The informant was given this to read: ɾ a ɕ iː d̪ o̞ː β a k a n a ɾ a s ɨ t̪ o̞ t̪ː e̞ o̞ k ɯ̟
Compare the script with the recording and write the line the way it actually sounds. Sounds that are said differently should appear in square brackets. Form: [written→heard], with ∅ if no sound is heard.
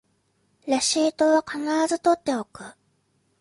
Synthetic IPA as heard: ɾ a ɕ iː [d̪→t̪] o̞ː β a k a n a ɾ a [s→z] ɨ t̪ o̞ t̪ː e̞ o̞ k ɯ̟